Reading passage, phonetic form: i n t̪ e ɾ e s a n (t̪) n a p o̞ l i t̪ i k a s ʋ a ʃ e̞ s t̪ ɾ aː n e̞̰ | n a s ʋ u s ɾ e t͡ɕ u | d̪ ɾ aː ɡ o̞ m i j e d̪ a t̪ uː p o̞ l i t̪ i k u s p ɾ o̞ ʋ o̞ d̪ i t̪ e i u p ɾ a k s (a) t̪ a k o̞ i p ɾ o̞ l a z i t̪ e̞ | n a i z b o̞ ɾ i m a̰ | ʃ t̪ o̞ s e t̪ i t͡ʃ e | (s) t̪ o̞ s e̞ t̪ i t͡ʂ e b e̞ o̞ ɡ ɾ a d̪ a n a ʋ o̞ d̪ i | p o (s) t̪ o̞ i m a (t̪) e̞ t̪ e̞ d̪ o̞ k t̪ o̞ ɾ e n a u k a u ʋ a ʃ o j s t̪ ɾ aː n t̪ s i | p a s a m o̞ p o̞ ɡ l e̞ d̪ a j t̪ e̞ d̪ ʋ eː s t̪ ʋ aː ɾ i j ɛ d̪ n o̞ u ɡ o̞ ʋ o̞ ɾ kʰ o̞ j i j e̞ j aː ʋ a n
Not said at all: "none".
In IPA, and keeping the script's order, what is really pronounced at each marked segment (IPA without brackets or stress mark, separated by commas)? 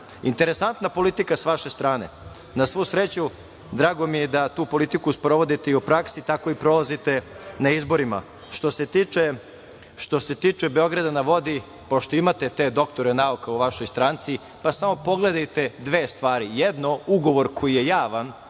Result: t̪, i, ʃ, ʃ, t̪